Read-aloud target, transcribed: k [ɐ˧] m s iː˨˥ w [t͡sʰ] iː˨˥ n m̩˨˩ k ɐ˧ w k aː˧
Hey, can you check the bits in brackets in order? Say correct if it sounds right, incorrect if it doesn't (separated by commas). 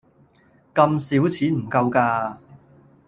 correct, correct